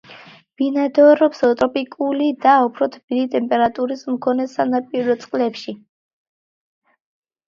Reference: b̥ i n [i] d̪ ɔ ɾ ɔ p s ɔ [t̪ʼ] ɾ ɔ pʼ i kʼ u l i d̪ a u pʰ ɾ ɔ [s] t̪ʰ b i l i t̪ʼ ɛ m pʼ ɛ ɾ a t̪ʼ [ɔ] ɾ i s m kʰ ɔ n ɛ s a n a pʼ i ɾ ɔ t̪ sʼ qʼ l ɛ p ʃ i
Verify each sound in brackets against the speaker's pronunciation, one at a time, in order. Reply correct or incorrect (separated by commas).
incorrect, correct, incorrect, incorrect